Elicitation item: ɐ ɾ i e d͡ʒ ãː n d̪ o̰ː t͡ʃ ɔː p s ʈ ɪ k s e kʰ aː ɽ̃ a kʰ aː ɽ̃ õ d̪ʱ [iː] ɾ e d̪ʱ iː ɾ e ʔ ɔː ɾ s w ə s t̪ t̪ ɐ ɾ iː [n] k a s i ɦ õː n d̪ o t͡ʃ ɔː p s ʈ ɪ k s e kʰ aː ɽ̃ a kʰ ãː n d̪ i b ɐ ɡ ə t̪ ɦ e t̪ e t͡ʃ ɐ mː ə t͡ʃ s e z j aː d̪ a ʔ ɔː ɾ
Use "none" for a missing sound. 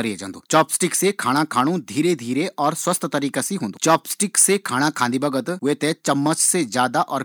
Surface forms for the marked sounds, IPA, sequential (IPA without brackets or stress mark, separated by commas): iː, none